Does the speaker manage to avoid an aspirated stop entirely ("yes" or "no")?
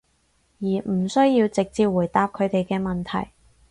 no